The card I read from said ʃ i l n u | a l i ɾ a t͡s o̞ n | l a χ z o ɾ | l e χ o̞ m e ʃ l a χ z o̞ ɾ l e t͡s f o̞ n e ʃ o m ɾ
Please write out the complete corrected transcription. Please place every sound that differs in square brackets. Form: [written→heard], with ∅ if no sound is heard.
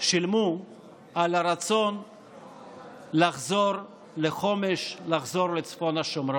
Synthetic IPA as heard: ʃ i l [n→m] u | a l [i→a] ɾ a t͡s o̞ n | l a χ z o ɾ | l e χ o̞ m e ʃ l a χ z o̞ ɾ l e t͡s f o̞ n [e→a] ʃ o m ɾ